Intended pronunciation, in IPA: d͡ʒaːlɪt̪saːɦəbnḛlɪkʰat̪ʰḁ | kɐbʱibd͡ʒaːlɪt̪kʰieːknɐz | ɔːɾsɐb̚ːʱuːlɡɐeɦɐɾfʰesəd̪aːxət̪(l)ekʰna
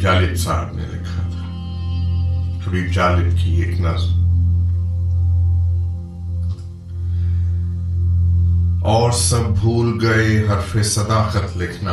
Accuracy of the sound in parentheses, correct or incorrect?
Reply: correct